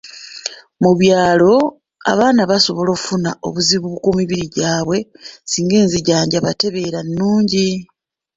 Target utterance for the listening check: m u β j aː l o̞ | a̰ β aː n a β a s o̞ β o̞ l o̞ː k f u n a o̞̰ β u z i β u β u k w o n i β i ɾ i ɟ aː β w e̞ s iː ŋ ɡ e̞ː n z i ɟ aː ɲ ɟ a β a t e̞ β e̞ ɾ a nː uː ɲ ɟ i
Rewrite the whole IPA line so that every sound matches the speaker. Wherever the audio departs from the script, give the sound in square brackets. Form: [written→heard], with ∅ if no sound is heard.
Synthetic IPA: m u β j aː l o̞ | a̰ β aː n a β a s o̞ β o̞ l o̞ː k f u n a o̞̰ β u z i β u β u k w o [n→m] i β i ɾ i ɟ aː β w e̞ s iː ŋ ɡ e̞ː n z i ɟ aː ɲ ɟ a β a t e̞ β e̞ ɾ a nː uː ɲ ɟ i